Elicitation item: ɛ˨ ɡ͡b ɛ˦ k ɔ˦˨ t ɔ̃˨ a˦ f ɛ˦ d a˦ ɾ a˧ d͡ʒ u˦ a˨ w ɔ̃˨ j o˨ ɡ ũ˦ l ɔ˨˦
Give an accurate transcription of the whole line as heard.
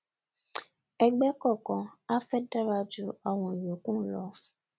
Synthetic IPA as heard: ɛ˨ ɡ͡b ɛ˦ k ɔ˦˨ k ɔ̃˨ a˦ f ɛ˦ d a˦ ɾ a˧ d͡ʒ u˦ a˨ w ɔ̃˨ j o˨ k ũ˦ l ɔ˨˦